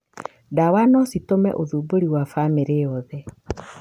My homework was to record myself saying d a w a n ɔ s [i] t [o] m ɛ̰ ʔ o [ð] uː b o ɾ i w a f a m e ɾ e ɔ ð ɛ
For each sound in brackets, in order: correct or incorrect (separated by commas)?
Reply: correct, correct, correct